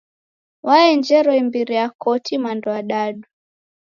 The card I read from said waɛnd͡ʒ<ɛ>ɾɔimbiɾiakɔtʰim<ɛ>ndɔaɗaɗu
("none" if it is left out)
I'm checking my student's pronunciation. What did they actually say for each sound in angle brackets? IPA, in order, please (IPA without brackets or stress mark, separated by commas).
ɛ, a